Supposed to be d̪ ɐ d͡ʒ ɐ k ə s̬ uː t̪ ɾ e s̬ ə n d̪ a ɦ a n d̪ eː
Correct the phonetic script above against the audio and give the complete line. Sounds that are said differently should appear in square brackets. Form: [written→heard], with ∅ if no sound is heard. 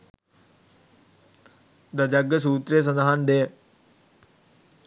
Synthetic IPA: d̪ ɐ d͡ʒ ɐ [k→ɡ] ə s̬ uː t̪ ɾ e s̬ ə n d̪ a ɦ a n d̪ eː